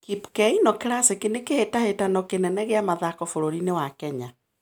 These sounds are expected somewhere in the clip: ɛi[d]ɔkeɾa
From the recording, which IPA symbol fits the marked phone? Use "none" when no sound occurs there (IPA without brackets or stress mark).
n